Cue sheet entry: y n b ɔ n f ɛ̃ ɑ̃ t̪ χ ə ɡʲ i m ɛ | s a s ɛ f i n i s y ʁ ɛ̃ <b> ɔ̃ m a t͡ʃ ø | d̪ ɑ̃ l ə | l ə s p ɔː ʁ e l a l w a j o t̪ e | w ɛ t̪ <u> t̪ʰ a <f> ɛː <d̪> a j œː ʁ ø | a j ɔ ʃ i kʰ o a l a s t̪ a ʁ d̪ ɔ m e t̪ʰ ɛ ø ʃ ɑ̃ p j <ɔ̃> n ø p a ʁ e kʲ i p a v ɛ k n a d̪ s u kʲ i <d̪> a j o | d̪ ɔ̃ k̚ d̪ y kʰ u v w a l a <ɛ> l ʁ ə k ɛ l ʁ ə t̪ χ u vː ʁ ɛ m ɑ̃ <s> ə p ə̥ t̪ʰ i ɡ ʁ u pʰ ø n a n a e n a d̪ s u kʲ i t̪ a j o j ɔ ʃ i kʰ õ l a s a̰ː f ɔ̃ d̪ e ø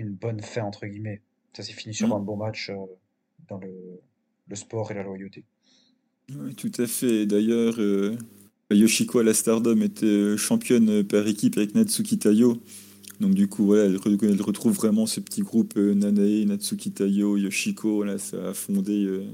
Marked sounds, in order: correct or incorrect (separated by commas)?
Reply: correct, correct, correct, correct, incorrect, incorrect, correct, correct